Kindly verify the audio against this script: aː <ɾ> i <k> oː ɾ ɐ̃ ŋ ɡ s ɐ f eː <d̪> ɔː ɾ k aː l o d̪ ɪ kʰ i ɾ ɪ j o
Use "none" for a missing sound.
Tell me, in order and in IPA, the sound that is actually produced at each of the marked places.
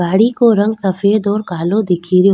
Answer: ɽ, k, d̪

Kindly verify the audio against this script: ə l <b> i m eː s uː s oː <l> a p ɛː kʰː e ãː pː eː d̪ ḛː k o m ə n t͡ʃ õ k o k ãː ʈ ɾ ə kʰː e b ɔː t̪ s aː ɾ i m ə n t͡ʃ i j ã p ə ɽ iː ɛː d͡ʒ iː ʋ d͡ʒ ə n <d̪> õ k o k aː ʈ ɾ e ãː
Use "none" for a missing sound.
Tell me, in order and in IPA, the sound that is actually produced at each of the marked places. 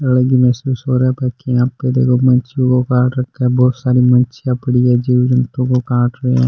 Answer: ɡ, ɾ, t̪

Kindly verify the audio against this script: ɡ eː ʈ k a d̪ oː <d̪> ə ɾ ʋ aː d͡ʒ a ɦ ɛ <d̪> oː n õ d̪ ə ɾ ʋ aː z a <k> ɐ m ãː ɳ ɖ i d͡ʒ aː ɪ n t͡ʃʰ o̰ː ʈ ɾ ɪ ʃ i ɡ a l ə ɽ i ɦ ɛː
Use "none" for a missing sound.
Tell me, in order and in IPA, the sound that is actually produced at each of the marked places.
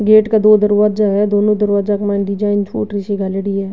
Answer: d̪, d̪, k

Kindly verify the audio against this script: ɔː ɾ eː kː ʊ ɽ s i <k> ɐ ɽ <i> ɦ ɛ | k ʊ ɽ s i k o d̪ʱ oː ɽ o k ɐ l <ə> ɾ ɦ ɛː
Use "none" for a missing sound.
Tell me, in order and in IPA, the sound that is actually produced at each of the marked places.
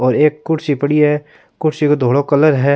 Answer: p, i, ə

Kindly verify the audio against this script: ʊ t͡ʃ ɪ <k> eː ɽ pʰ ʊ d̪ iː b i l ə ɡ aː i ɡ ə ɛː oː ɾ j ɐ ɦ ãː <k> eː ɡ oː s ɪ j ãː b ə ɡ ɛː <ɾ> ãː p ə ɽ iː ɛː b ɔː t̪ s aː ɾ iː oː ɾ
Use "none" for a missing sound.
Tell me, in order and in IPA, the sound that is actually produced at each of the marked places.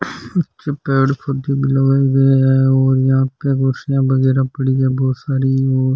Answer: p, p, ɾ

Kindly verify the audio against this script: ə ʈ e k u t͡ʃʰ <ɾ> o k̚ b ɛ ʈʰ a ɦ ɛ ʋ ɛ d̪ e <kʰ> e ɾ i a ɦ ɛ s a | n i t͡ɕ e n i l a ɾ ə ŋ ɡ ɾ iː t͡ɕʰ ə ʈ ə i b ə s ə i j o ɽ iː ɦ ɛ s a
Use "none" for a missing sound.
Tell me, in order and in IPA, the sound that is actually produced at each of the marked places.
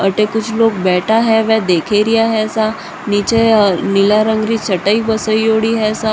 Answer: l, kʰ

